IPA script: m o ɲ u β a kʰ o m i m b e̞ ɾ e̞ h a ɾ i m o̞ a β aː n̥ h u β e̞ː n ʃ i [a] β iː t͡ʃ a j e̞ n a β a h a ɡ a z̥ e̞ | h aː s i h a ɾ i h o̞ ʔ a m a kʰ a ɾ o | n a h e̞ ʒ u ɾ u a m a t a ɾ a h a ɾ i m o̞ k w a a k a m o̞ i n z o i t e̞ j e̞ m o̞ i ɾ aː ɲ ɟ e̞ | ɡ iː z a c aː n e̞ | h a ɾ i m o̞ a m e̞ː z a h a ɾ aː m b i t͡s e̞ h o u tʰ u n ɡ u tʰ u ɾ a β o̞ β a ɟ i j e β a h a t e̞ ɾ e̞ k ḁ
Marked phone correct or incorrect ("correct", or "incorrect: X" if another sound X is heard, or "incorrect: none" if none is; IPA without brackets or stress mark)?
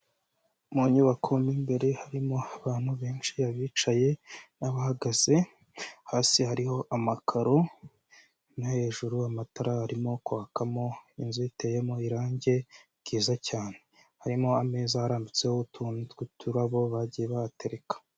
correct